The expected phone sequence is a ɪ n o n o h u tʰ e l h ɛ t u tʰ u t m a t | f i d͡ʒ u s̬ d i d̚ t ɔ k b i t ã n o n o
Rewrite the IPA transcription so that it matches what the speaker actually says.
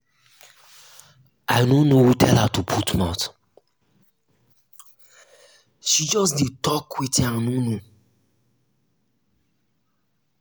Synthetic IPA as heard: a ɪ n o n o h u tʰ ɛ l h a t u pʰ u t m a t | ʃ i d͡ʒ ɔ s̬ d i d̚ t ɔ k w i t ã n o n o